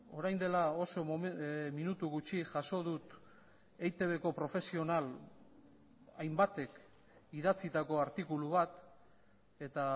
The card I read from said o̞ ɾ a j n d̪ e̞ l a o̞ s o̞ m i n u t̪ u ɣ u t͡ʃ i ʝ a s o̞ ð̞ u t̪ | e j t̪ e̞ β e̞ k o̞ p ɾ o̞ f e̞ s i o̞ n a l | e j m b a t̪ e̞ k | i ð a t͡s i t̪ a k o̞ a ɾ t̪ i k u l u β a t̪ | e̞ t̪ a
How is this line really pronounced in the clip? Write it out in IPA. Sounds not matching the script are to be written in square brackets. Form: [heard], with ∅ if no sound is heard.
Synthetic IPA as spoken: o̞ ɾ a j n d̪ e̞ l a o̞ s o̞ m i n u t̪ u ɣ u t͡ʃ i ʝ a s o̞ ð̞ u t̪ | e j t̪ e̞ β e̞ k o̞ p ɾ o̞ f e̞ s i o̞ n a l | [a] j m b a t̪ e̞ k | i ð a t͡s i t̪ a k o̞ a ɾ t̪ i k u l u β a t̪ | e̞ t̪ a

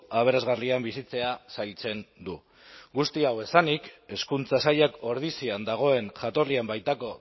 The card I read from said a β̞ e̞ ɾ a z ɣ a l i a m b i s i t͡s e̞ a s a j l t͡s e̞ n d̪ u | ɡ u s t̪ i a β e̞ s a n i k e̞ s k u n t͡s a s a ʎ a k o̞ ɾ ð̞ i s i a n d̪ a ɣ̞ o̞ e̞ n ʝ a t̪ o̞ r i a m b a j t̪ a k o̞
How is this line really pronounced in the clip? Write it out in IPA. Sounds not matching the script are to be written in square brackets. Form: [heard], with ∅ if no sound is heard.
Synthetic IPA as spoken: a β̞ e̞ ɾ a z ɣ a [r] i a m b i s i t͡s e̞ a s a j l t͡s e̞ n d̪ u | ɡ u s t̪ i a [w] e̞ s a n i k e̞ s k u n t͡s a s a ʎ a k o̞ ɾ ð̞ i s i a n d̪ a ɣ̞ o̞ e̞ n ʝ a t̪ o̞ r i a m b a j t̪ a k o̞

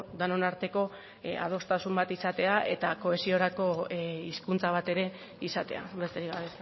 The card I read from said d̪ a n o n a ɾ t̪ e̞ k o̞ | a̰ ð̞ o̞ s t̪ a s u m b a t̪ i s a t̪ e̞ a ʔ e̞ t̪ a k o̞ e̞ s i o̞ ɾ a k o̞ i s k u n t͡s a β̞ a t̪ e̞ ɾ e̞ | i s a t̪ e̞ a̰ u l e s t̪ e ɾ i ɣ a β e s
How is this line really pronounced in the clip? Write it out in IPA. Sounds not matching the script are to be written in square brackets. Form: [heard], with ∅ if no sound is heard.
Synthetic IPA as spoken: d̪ a n o n a ɾ t̪ e̞ k o̞ | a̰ ð̞ o̞ s t̪ a s u m b a t̪ i s a t̪ e̞ a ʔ e̞ t̪ a k o̞ e̞ s i o̞ ɾ a k o̞ i s k u n t͡s a β̞ a t̪ e̞ ɾ e̞ | i s a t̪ e̞ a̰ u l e s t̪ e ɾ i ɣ a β e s

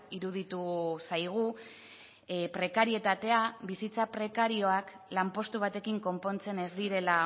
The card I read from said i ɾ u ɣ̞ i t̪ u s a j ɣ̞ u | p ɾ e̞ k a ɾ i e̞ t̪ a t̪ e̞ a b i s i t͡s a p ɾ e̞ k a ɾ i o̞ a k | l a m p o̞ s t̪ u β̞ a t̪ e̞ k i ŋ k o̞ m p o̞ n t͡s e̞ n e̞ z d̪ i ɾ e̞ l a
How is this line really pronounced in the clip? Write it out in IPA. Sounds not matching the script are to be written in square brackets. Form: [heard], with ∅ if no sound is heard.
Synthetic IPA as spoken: i ɾ u [ð̞] i t̪ u s a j ɣ̞ u | p ɾ e̞ k a ɾ i e̞ t̪ a t̪ e̞ a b i s i t͡s a p ɾ e̞ k a ɾ i o̞ a k | l a m p o̞ s t̪ u β̞ a t̪ e̞ k i ŋ k o̞ m p o̞ n t͡s e̞ n e̞ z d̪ i ɾ e̞ l a

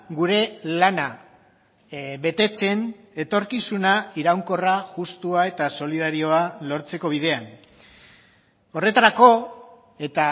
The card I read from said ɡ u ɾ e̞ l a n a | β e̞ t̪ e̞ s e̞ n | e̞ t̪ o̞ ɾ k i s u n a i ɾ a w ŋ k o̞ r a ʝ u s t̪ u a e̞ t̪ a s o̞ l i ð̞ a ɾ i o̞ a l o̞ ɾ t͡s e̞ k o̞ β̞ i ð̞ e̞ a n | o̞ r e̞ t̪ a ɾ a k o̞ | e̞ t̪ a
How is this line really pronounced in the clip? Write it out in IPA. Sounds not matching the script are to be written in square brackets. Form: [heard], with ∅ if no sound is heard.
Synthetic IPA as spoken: ɡ u ɾ e̞ l a n a | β e̞ t̪ e̞ [t͡s] e̞ n | e̞ t̪ o̞ ɾ k i s u n a i ɾ a w ŋ k o̞ r a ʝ u s t̪ u a e̞ t̪ a s o̞ l i ð̞ a ɾ i o̞ a l o̞ ɾ t͡s e̞ k o̞ β̞ i ð̞ e̞ a n | o̞ r e̞ t̪ a ɾ a k o̞ | e̞ t̪ a

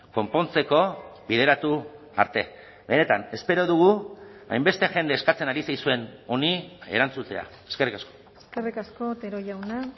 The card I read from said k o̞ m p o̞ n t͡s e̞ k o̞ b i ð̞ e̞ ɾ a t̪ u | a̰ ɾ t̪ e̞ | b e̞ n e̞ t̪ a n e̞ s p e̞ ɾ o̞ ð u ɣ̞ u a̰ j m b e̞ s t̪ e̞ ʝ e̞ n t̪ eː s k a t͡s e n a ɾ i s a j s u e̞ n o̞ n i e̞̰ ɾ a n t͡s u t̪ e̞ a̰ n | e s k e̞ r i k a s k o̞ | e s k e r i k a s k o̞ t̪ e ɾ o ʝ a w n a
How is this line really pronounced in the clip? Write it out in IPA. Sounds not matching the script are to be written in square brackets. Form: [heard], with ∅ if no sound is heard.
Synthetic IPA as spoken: k o̞ m p o̞ n t͡s e̞ k o̞ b i ð̞ e̞ ɾ a t̪ u | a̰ ɾ t̪ e̞ | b e̞ n e̞ t̪ a n e̞ s p e̞ ɾ o̞ ð u ɣ̞ u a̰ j m b e̞ s t̪ e̞ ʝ e̞ n [d̪] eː s k a t͡s e n a ɾ i s a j s u e̞ n o̞ n i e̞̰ ɾ a n t͡s u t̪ e̞ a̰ [∅] | e s k e̞ r i k a s k o̞ | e s k e r i k a s k o̞ t̪ e ɾ o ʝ a w n a

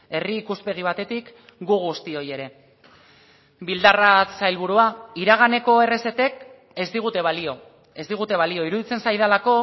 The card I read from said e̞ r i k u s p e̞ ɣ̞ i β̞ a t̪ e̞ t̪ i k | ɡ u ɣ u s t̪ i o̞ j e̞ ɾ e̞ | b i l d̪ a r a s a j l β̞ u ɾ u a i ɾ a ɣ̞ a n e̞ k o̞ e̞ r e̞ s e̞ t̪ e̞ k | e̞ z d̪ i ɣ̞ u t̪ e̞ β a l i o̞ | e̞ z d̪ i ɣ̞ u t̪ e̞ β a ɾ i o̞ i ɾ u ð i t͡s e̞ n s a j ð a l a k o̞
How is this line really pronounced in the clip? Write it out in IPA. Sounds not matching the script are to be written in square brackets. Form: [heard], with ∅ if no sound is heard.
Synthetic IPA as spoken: e̞ r [iː] k u s p e̞ ɣ̞ i β̞ a t̪ e̞ t̪ i k | ɡ u ɣ u s t̪ i o̞ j e̞ ɾ e̞ | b i l d̪ a r a s a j l β̞ u ɾ u a i ɾ a ɣ̞ a n e̞ k o̞ e̞ r e̞ s e̞ t̪ e̞ k | e̞ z d̪ i ɣ̞ u t̪ e̞ β a l i o̞ | e̞ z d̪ i ɣ̞ u t̪ e̞ β a [l] i o̞ i ɾ u ð i t͡s e̞ n s a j ð a l a k o̞

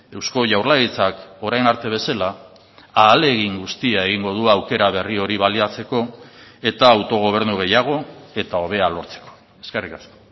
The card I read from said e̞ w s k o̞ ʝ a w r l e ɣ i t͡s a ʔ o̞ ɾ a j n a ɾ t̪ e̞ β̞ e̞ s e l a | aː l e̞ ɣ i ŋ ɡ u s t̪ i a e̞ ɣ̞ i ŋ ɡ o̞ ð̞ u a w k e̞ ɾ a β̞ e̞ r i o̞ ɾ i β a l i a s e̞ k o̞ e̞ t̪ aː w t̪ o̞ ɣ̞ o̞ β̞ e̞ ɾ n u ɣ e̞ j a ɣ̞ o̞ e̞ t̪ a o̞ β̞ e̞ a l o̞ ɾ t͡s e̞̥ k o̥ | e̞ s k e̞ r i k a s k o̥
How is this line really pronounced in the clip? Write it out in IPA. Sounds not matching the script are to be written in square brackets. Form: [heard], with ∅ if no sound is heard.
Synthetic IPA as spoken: e̞ w s k o̞ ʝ a w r l [a] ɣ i t͡s a [k] o̞ ɾ a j n a ɾ t̪ e̞ β̞ e̞ s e l a | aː l e̞ ɣ i ŋ ɡ u s t̪ i a e̞ ɣ̞ i ŋ ɡ o̞ ð̞ u a w k e̞ ɾ a β̞ e̞ r i o̞ ɾ i β a l i a [t͡s] e̞ k o̞ e̞ t̪ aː w t̪ o̞ ɣ̞ o̞ β̞ e̞ ɾ n u ɣ e̞ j a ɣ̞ o̞ e̞ t̪ a o̞ β̞ e̞ a l o̞ ɾ t͡s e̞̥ k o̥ | e̞ s k e̞ r i k a s k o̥

